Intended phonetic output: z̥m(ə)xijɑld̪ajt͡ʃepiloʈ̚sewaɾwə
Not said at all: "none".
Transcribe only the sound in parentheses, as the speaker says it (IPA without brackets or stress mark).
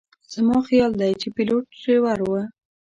ɑ